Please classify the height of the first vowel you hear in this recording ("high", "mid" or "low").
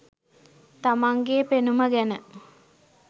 low